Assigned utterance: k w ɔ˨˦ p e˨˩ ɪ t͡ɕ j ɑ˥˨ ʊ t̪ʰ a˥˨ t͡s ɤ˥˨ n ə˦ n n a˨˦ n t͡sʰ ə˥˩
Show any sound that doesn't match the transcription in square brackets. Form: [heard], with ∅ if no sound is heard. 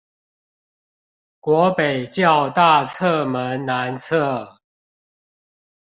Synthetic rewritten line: k w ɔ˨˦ p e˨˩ ɪ t͡ɕ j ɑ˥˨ ʊ [t̪] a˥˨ [t͡sʰ] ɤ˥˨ [m] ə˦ n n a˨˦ n t͡sʰ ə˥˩